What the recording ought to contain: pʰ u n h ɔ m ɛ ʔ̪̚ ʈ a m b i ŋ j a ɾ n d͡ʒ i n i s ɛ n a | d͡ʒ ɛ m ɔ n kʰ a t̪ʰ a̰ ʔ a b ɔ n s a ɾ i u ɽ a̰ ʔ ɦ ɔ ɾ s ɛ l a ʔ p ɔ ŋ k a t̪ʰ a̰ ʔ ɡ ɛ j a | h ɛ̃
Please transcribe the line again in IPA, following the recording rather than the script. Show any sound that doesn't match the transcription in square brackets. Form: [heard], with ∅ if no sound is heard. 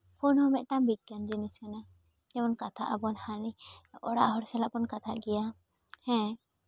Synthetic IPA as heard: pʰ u n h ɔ m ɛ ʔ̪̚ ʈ a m b i [ɡ] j a [∅] n d͡ʒ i n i s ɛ n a | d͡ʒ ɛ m ɔ n [k] a t̪ʰ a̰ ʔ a b ɔ n [h] a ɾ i [ɔ] ɽ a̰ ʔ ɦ ɔ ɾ s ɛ l a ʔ p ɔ [n] k a t̪ʰ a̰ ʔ ɡ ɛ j a | h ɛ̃